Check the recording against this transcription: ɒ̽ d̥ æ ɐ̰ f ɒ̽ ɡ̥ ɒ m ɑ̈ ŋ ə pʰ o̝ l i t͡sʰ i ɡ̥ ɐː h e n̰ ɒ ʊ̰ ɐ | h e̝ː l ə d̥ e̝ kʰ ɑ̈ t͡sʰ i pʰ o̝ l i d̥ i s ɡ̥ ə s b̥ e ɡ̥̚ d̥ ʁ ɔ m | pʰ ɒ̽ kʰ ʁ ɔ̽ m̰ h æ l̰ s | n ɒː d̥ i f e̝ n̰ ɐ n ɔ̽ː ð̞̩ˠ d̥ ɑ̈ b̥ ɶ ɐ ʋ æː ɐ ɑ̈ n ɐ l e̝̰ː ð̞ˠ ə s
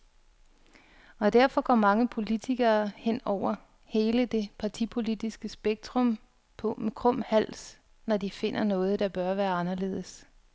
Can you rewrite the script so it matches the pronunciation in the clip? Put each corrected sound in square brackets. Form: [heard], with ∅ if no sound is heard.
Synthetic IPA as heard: ɒ̽ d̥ æ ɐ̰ f ɒ̽ ɡ̥ ɒ m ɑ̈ ŋ ə pʰ o̝ l i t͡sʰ i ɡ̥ ɐː h e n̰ ɒ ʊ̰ ɐ | h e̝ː l ə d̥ e̝ [pʰ] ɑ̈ t͡sʰ i pʰ o̝ l i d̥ i s ɡ̥ ə s b̥ e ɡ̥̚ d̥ ʁ ɔ m | pʰ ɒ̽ kʰ ʁ ɔ̽ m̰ h æ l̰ s | n [ɒ] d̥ i f e̝ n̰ ɐ n ɔ̽ː ð̞̩ˠ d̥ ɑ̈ b̥ ɶ ɐ ʋ æː ɐ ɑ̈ n ɐ l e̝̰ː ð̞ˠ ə s